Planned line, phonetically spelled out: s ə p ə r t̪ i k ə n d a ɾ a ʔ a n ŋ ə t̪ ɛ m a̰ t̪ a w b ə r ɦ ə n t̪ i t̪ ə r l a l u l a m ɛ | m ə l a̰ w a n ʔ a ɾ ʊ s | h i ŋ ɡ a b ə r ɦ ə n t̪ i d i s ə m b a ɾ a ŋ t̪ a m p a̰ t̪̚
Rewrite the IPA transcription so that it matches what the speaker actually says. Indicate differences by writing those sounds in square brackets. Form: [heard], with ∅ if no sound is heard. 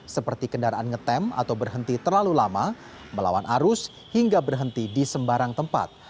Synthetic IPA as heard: s ə p ə r t̪ i k ə n d a ɾ a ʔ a n ŋ ə t̪ ɛ m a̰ t̪ a w b ə r ɦ ə n t̪ i t̪ ə r l a l u l a m [a] | m ə l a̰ w a n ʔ a ɾ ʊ s | h i ŋ ɡ a b ə r ɦ ə n t̪ i d i s ə m b a ɾ a ŋ t̪ [ə] m p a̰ t̪̚